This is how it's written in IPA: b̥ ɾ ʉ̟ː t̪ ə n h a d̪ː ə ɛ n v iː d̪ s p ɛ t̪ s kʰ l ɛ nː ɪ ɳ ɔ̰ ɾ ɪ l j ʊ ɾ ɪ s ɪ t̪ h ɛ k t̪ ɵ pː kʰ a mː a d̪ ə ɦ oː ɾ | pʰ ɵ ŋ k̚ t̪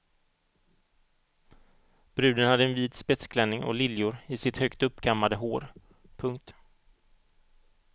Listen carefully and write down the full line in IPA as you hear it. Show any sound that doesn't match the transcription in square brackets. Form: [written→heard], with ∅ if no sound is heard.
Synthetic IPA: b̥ ɾ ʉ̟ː [t̪→d̪] ə n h a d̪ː ə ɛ n v iː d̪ s p ɛ t̪ s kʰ l ɛ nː ɪ [ɳ→ŋ] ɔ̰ [ɾ→l] ɪ l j ʊ ɾ ɪ s ɪ t̪ h [ɛ→œ] k t̪ ɵ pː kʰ a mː a d̪ ə ɦ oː ɾ | pʰ ɵ ŋ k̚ t̪